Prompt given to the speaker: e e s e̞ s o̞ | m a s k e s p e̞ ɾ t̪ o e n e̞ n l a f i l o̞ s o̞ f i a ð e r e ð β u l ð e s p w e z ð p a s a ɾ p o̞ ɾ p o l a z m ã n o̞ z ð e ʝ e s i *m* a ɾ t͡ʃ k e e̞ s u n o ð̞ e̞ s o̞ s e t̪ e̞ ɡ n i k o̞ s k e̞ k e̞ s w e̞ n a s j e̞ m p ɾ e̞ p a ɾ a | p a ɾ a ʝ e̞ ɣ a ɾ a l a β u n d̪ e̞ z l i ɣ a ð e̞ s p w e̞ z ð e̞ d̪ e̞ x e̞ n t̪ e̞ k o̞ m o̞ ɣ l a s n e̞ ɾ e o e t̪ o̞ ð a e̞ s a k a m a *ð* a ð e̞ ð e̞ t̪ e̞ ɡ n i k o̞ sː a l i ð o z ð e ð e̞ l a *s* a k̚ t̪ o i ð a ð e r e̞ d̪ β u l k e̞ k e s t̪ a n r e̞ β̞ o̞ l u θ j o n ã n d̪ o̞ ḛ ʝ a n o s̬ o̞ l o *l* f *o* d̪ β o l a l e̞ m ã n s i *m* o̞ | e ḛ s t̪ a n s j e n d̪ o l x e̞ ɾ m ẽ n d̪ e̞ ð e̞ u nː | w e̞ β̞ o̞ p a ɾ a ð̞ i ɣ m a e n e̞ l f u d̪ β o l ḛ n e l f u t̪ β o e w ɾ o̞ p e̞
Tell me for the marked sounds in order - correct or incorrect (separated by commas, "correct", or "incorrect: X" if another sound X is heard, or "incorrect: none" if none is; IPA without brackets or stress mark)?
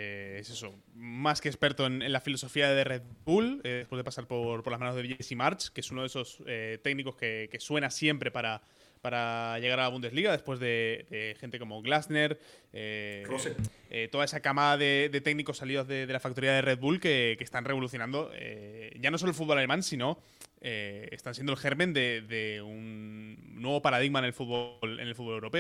correct, correct, incorrect: f, correct, incorrect: u, incorrect: n